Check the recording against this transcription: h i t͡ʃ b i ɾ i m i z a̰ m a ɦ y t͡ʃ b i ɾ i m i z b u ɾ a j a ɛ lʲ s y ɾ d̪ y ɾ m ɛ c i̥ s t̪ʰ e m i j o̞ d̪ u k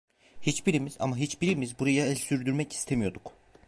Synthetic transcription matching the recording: h i t͡ʃ b i ɾ i m i z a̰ m a ɦ i t͡ʃ b i ɾ i m i z b u ɾ a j a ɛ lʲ s y ɾ d̪ y ɾ m ɛ c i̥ s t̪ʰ e m i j o̞ d̪ u k

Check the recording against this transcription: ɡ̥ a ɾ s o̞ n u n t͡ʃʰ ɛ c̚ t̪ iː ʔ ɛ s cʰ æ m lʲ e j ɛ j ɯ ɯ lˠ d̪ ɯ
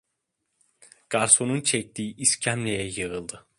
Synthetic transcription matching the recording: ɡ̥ a ɾ s o̞ n u n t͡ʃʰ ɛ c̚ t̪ iː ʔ i s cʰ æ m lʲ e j ɛ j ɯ ɯ lˠ d̪ ɯ

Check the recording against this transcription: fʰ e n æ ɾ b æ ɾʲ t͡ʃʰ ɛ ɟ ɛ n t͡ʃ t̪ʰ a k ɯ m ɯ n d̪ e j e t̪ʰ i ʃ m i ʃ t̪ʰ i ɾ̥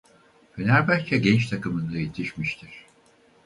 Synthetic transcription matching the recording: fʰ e n æ ɾ b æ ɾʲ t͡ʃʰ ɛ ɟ ɛ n t͡ʃ t̪ʰ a k ɯ m ɯ n d̪ a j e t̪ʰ i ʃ m i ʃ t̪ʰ i ɾ̥

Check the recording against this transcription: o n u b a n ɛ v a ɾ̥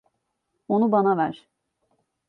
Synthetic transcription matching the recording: o n u b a n a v æ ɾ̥

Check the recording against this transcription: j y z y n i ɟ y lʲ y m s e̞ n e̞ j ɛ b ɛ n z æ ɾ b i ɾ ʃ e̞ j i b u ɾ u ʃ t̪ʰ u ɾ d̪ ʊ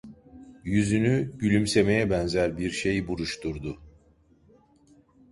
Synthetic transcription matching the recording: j y z y n y ɟ y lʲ y m s e̞ m e̞ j ɛ b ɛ n z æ ɾ b i ɾ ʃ e̞ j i b u ɾ u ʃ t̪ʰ u ɾ d̪ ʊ

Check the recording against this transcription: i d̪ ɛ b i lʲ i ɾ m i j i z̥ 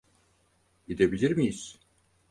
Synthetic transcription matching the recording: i d̪ e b i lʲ i ɾ m i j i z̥

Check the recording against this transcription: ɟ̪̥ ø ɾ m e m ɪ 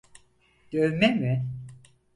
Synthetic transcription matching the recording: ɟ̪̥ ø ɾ m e m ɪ

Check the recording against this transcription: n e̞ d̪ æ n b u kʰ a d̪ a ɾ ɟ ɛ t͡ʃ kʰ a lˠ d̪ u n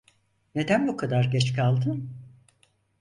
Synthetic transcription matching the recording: n e̞ d̪ æ n b u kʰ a d̪ a ɾ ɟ ɛ t͡ʃ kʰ a lˠ d̪ ɯ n

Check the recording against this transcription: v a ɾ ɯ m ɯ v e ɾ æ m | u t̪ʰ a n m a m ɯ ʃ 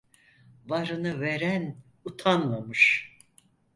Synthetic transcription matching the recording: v a ɾ ɯ n ɯ v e ɾ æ n | u t̪ʰ a n m a m ɯ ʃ

